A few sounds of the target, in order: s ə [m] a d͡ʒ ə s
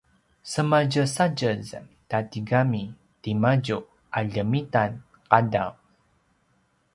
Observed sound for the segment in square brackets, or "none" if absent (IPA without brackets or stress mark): m